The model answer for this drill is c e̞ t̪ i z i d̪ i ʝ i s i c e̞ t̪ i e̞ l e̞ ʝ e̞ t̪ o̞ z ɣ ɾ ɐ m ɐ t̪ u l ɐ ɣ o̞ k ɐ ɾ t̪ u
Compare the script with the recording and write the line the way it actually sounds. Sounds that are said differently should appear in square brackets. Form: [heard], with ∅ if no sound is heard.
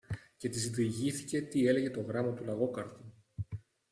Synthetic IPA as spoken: c e̞ t̪ i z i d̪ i ʝ i [θ] i c e̞ t̪ i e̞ l e̞ ʝ e̞ t̪ o̞ [∅] ɣ ɾ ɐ m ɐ t̪ u l ɐ ɣ o̞ k ɐ ɾ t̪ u